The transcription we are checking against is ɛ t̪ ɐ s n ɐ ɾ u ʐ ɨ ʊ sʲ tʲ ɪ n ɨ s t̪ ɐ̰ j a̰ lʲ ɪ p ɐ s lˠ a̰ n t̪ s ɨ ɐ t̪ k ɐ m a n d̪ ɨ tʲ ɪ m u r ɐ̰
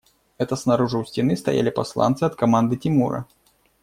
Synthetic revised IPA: ɛ t̪ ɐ s n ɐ ɾ u ʐ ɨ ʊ sʲ tʲ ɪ n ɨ s t̪ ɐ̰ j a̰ lʲ ɪ p ɐ s lˠ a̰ n t̪ s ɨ ɐ t̪ k ɐ m a n d̪ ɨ tʲ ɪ m u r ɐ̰